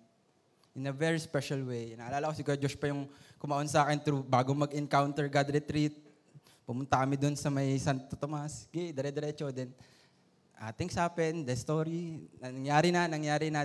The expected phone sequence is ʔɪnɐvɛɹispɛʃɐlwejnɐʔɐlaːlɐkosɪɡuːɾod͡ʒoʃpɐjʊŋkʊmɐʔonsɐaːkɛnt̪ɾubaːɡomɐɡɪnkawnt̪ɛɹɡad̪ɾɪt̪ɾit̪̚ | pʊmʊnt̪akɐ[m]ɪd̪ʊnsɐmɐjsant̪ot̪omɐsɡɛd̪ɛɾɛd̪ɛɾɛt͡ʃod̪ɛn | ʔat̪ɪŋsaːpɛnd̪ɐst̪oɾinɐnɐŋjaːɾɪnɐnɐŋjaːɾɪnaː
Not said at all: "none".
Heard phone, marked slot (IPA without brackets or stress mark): m